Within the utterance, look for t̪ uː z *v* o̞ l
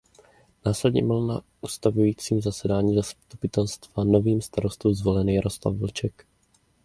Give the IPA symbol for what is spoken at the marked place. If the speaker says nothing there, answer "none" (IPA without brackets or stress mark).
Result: v